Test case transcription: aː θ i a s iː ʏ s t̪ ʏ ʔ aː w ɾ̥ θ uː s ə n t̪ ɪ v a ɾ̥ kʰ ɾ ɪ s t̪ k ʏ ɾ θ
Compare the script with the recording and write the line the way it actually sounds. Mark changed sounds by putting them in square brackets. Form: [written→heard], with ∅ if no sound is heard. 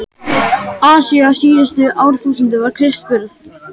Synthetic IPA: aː [θ→s] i a s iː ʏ s t̪ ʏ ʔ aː w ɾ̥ θ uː s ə n t̪ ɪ v a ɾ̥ kʰ ɾ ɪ s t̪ [k→p] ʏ ɾ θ